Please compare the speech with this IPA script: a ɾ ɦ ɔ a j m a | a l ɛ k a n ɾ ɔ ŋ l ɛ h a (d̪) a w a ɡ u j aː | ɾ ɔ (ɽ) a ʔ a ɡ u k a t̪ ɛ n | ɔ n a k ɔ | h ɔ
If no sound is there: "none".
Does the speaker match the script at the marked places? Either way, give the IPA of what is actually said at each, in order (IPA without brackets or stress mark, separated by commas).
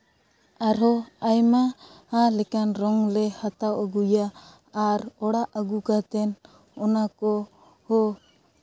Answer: t̪, ɽ